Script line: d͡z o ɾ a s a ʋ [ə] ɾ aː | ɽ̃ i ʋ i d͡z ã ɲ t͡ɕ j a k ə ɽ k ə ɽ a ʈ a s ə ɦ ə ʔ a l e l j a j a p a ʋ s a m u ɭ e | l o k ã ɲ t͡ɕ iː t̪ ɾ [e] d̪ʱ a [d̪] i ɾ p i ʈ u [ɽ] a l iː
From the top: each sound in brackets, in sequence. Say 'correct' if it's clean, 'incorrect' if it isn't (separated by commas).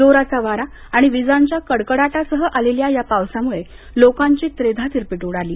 incorrect, correct, incorrect, correct